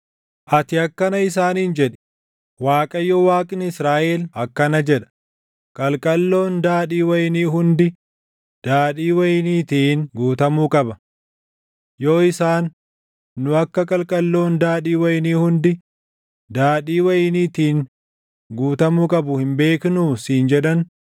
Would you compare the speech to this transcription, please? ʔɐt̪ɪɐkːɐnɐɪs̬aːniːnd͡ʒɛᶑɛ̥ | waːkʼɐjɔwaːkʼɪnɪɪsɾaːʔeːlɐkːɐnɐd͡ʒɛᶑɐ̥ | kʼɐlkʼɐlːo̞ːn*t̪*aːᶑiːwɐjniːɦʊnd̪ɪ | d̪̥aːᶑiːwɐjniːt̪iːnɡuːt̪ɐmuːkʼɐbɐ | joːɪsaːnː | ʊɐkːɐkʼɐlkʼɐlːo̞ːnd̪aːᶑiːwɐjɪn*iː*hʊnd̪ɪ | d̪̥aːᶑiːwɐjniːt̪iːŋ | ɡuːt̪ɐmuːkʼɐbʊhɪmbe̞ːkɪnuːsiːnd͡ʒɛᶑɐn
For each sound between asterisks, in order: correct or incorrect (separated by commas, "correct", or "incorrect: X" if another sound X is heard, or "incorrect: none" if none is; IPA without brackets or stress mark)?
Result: incorrect: d̪, correct